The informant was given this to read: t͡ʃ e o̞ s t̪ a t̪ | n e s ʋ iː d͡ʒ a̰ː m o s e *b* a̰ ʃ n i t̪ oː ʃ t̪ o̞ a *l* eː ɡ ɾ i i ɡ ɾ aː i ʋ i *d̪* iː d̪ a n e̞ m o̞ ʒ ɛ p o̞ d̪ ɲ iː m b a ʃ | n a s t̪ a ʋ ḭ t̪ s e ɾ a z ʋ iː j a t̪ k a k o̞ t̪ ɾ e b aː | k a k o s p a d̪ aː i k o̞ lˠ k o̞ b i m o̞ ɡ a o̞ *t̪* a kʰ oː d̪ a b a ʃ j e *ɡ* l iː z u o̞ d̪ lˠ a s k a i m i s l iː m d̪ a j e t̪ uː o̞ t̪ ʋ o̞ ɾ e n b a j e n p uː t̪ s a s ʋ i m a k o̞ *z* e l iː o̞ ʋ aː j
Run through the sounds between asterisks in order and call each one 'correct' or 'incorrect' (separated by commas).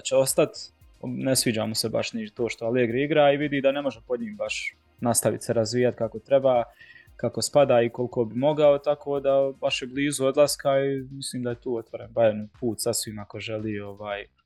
correct, correct, correct, correct, incorrect, incorrect